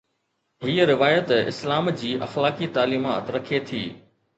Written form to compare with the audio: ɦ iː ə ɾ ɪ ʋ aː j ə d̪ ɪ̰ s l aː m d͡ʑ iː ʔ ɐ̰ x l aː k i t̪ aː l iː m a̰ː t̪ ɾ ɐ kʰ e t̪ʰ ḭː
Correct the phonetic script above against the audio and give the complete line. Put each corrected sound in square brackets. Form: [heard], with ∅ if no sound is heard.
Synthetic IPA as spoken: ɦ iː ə ɾ ɪ ʋ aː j ə [t̪] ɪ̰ s l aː m d͡ʑ iː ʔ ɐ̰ x l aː k i t̪ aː l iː m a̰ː t̪ ɾ ɐ kʰ e t̪ʰ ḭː